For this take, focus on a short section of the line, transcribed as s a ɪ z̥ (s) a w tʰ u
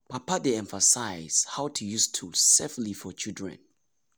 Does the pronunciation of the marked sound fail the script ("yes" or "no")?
yes